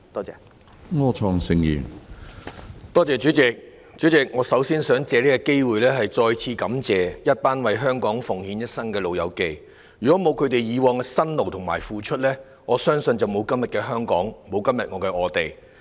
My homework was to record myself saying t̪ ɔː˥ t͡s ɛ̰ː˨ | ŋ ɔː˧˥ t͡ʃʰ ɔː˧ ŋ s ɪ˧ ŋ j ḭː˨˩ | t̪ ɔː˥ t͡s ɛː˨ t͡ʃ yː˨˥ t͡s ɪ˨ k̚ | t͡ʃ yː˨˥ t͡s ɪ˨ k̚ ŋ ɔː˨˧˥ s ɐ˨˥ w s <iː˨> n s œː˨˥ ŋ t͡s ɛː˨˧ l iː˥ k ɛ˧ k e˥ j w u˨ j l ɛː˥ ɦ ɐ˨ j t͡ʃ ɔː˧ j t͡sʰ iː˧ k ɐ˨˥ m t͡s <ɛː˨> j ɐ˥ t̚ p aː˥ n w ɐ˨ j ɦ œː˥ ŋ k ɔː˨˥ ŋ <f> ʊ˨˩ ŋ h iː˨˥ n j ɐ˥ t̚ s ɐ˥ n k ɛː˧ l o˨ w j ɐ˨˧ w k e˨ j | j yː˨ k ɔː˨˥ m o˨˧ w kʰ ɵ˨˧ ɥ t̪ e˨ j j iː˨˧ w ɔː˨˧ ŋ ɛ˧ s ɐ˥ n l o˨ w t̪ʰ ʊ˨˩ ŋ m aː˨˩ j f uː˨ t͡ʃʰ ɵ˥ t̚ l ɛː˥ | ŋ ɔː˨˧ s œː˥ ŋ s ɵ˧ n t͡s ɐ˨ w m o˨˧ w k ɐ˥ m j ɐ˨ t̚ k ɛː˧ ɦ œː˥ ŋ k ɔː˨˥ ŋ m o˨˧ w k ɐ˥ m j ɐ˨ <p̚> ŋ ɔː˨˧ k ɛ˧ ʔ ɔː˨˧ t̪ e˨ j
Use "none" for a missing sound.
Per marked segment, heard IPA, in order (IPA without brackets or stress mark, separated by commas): iː˥, ɛː˨, f, t̚